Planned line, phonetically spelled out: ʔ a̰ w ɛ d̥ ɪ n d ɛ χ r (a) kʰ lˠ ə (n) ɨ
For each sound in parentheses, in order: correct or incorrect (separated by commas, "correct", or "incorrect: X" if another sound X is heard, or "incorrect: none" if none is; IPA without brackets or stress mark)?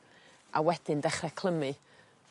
incorrect: ɛ, incorrect: m